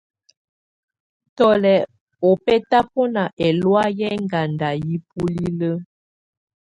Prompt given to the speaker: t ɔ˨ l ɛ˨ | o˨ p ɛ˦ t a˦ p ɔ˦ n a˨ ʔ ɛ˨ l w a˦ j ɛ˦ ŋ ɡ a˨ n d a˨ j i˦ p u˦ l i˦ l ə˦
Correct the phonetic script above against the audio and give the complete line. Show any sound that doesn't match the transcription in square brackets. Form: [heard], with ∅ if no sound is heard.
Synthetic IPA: t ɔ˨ l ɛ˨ | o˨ p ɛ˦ t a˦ p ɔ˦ n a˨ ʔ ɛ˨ l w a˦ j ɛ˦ ŋ ɡ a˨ n d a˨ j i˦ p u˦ l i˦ l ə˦